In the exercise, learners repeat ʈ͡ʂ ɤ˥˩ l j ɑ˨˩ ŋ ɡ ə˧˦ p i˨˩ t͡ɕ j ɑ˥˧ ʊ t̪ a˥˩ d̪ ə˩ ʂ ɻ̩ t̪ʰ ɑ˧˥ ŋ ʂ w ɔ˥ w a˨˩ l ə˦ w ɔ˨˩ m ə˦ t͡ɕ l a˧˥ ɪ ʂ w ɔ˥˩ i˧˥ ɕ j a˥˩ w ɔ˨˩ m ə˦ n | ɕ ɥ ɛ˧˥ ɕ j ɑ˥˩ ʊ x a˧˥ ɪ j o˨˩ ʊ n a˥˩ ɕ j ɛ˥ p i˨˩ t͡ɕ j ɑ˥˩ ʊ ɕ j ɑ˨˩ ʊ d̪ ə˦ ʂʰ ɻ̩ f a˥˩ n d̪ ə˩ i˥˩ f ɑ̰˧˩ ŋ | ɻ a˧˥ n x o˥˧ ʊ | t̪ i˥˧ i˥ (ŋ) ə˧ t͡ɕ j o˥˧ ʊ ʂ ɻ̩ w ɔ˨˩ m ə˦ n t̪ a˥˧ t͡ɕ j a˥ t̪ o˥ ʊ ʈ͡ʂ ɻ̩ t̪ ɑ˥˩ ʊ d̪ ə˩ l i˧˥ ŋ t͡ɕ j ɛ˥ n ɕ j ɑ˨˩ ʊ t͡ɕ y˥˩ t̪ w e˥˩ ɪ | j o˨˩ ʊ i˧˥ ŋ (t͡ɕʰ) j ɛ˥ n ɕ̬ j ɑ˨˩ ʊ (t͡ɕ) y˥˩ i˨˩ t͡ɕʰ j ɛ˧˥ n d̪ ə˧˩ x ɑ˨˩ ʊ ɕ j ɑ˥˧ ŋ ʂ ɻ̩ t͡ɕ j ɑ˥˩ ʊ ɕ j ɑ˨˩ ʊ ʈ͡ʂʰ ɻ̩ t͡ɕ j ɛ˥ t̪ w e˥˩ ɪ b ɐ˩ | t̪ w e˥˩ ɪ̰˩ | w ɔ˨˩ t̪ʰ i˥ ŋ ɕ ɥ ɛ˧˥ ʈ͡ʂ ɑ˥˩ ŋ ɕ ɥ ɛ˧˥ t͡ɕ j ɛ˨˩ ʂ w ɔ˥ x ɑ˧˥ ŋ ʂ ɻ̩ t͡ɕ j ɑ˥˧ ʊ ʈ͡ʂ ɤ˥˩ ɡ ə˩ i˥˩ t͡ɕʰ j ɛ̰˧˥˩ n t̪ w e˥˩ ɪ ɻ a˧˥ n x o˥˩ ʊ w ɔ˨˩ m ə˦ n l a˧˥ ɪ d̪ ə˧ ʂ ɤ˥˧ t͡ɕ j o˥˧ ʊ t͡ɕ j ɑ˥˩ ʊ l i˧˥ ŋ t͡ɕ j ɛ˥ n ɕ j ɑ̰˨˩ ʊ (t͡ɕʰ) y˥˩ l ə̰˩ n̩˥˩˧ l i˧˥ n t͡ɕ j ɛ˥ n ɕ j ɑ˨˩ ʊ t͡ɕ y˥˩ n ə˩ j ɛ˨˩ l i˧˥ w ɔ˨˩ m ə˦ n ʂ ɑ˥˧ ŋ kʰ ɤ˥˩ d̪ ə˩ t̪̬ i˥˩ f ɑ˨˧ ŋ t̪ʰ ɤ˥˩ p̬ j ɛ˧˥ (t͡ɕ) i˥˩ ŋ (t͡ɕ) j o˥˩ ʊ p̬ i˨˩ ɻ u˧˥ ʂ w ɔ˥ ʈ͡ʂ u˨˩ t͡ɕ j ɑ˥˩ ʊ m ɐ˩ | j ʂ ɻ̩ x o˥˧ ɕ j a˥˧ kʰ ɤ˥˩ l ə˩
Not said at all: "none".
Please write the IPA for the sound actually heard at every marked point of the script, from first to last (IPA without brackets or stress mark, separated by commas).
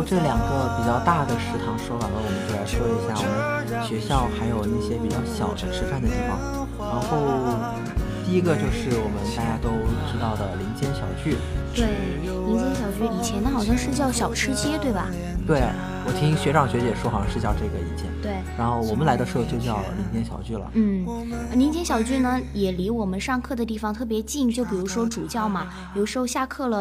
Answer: ɡ, t͡ɕ, t͡ɕ, t͡ɕ, t͡ɕ, t͡ɕ